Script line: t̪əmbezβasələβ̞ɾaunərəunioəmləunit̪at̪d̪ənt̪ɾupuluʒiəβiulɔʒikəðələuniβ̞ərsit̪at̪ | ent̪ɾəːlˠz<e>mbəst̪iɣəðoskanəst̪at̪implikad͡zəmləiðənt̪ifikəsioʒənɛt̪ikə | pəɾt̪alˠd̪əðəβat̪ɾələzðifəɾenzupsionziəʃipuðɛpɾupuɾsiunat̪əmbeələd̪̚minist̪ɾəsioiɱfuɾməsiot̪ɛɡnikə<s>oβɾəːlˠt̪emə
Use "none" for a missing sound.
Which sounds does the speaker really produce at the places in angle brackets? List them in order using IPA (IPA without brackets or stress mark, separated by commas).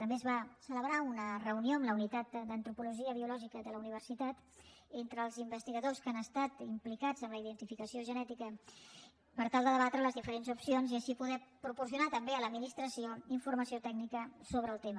i, s